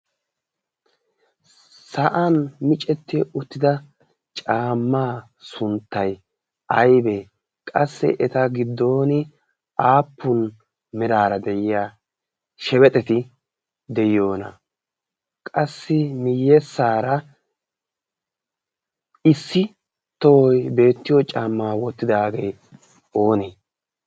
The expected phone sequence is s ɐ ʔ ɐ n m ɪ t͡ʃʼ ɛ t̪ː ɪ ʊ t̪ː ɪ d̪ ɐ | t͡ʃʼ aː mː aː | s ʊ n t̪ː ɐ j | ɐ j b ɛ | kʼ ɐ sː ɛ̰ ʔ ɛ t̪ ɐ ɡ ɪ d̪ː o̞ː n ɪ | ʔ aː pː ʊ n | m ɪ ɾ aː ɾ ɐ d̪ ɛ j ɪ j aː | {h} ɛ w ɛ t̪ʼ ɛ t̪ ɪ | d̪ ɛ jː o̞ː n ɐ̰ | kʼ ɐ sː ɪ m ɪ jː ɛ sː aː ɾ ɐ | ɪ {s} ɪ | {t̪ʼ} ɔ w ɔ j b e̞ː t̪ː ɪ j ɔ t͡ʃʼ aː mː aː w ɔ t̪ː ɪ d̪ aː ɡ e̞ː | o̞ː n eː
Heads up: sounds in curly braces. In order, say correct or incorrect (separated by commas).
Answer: incorrect, incorrect, incorrect